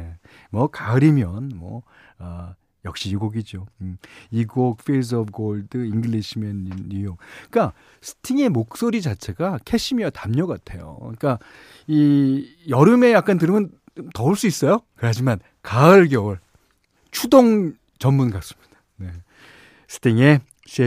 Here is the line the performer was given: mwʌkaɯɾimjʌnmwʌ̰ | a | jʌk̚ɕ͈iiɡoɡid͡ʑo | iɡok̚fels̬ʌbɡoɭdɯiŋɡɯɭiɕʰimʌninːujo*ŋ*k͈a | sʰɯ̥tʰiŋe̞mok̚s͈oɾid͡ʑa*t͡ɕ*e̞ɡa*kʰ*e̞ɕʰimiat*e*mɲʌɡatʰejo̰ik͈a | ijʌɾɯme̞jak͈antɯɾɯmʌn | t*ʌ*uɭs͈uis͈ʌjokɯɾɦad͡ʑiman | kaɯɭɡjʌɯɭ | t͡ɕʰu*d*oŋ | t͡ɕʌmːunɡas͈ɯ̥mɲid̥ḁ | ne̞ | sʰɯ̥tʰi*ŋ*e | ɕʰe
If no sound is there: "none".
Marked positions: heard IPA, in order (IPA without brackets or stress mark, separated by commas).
ŋ, t͡ɕʰ, kʰ, a, ʌ, d, ŋ